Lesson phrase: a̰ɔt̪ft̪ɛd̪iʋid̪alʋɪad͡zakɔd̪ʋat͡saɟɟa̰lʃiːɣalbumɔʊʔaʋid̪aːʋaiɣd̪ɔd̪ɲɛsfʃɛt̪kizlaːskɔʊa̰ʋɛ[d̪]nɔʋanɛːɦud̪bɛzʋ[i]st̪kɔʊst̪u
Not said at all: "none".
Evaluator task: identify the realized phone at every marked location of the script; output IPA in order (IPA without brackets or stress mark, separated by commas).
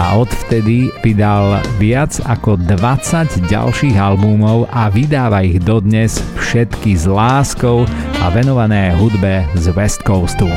none, ɛ